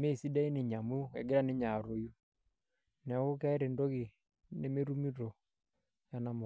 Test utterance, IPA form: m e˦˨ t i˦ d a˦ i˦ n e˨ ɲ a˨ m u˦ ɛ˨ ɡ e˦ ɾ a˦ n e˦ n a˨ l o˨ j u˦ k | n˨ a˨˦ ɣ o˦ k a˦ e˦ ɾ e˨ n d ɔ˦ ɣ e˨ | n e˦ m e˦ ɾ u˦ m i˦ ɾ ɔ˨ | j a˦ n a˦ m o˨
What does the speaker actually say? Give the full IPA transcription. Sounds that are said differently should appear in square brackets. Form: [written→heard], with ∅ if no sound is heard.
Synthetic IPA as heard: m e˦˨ [t→s] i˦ d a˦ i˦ n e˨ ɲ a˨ m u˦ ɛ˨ ɡ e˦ ɾ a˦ n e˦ [n→ɲ] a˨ [l→ɾ] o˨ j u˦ [k→∅] | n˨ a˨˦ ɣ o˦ k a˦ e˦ ɾ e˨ n d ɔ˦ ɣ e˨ | n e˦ m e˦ ɾ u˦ m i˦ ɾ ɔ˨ | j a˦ n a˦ m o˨